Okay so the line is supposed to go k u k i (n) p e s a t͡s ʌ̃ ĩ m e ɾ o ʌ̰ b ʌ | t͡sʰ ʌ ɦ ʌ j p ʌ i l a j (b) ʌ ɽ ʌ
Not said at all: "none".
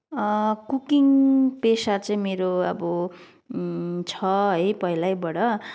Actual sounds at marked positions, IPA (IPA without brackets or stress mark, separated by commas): ŋ, b